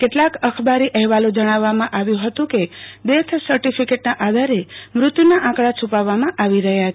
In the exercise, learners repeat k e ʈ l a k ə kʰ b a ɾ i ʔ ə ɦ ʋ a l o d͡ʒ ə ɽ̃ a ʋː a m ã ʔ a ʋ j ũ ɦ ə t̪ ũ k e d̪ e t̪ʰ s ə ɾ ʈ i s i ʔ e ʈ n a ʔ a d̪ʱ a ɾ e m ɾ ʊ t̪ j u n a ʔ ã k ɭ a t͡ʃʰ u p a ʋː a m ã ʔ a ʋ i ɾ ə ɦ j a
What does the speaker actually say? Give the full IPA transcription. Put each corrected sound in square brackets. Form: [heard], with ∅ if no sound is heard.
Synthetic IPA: k e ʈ l a k ə kʰ b a ɾ i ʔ ə ɦ ʋ a l o d͡ʒ ə ɽ̃ a ʋː a m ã ʔ a ʋ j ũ ɦ ə t̪ ũ k e d̪ e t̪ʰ s ə ɾ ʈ i [f] i [k] e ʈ n a ʔ a d̪ʱ a ɾ e m ɾ ʊ t̪ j u n a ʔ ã k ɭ a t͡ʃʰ u p a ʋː a m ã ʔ a ʋ i ɾ ə ɦ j a

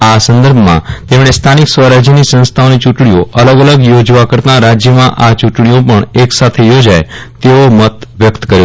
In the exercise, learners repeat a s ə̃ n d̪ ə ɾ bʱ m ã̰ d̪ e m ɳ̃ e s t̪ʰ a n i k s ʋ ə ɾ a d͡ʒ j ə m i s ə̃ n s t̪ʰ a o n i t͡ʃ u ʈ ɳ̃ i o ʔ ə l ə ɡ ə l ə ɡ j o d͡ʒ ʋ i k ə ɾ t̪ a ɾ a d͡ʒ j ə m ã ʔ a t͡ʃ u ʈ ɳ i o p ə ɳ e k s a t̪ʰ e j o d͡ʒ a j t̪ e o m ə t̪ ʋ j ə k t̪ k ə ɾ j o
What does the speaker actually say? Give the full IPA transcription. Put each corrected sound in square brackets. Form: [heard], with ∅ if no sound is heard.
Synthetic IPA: a s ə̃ n d̪ ə ɾ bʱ m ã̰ [t̪] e m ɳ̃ e s t̪ʰ a n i k s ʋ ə ɾ a d͡ʒ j ə [n] i s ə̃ n s t̪ʰ a o n i t͡ʃ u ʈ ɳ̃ i o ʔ ə l ə ɡ ə l ə ɡ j o d͡ʒ ʋ [a] k ə ɾ t̪ a ɾ a d͡ʒ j ə m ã ʔ a t͡ʃ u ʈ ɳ i o p ə ɳ e k s a t̪ʰ e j o d͡ʒ a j t̪ e o m ə t̪ ʋ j ə k t̪ k ə ɾ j o

